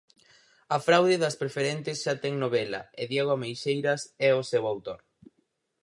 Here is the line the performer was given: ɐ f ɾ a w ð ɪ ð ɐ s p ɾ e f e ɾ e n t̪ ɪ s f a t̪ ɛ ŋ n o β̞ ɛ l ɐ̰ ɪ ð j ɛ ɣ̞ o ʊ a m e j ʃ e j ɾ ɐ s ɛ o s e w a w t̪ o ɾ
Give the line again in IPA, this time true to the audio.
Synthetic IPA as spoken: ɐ f ɾ a w ð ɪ ð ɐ s p ɾ e f e ɾ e n t̪ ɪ s ʃ a t̪ ɛ ŋ n o β̞ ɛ l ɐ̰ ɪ ð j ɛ ɣ̞ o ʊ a m e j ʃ e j ɾ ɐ s ɛ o s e w a w t̪ o ɾ